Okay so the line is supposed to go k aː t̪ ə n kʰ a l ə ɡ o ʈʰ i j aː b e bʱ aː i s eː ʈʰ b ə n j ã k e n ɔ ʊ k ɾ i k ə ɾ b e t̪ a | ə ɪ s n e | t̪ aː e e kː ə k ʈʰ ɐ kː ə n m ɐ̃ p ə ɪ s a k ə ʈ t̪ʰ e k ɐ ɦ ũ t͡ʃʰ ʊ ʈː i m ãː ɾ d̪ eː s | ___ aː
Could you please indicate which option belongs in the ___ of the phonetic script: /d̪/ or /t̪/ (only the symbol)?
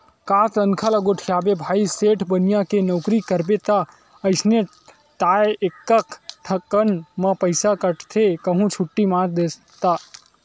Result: t̪